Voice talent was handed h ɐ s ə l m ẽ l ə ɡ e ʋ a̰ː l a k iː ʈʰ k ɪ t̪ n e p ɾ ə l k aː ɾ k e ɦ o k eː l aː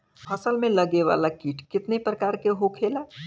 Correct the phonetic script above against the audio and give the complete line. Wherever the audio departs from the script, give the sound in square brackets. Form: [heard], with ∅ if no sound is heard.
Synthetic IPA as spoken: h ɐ s ə l m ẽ l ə ɡ e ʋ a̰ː l a k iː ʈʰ k ɪ t̪ n e p ɾ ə [∅] k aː ɾ k e ɦ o [kʰ] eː l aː